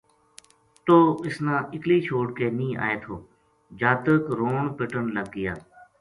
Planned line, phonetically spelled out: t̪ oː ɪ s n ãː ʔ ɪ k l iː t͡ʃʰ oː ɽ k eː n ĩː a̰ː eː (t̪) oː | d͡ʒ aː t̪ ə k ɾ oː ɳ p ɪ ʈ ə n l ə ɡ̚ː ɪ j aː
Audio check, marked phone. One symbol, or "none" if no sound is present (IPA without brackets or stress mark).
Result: t̪ʰ